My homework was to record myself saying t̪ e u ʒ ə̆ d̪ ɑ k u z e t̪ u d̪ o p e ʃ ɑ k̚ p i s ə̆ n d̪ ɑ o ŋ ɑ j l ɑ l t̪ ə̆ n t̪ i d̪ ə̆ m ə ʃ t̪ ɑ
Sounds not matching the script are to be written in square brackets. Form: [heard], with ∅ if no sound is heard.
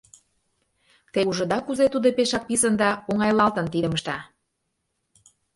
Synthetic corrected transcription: t̪ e u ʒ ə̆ d̪ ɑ k u z e t̪ u d̪ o p e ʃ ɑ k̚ p i s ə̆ n d̪ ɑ o ŋ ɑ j l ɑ l t̪ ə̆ n t̪ i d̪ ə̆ m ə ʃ t̪ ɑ